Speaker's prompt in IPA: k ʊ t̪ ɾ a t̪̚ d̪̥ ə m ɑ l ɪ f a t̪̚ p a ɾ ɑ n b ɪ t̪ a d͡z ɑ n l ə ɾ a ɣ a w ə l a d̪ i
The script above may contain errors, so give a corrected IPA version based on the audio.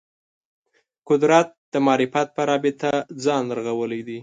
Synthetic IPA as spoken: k ʊ d̪ ɾ a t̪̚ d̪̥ ə m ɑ ɾ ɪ f a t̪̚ p ə ɾ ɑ b ɪ t̪ a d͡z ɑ n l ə ɾ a ɣ a w ə l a d̪ i